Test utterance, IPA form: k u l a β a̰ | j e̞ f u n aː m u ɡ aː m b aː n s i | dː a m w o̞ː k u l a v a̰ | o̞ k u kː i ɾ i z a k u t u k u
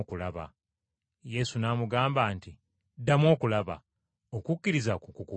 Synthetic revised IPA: k u l a β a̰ | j e̞ s u n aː m u ɡ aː m b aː n t i | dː a m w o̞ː k u l a β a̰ | o̞ k u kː i ɾ i z a k u k u k u